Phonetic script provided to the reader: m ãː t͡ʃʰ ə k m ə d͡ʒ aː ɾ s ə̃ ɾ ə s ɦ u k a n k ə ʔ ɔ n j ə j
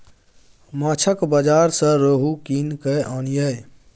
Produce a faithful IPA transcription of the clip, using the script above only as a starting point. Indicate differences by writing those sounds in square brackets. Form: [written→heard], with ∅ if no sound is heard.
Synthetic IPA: m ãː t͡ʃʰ ə k [m→b] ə d͡ʒ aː ɾ s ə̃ ɾ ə [s→∅] ɦ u k [a→i] n k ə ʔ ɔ n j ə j